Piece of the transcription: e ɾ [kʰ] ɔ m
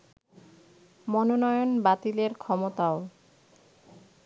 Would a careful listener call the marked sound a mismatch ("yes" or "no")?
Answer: no